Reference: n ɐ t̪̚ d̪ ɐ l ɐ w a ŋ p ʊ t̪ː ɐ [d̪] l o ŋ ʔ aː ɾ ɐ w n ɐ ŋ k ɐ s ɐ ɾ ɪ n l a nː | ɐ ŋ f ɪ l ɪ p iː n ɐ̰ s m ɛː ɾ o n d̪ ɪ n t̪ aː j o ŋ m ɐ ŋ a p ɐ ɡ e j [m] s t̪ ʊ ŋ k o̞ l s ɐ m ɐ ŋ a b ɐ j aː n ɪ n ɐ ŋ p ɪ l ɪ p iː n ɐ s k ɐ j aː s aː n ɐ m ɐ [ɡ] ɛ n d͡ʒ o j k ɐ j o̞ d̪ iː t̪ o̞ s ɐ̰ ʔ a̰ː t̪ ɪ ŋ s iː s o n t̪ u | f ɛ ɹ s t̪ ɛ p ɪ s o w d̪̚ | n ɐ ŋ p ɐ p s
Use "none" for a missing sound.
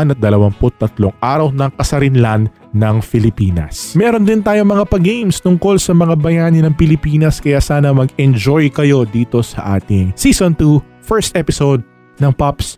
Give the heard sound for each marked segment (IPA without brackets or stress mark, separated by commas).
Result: t̪, m, ɡ